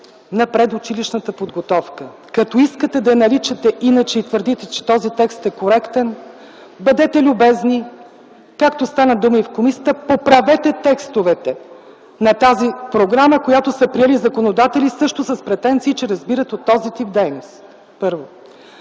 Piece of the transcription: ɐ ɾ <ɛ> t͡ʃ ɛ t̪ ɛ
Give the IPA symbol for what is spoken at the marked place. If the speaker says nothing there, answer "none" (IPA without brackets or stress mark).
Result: i